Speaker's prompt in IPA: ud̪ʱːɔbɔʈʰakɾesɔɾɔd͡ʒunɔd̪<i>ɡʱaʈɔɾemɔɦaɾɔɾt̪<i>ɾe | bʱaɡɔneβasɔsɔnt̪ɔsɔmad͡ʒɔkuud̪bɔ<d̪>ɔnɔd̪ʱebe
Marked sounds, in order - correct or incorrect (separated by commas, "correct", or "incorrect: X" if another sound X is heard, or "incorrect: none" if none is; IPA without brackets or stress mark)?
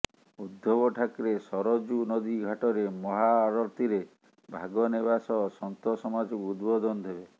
correct, correct, correct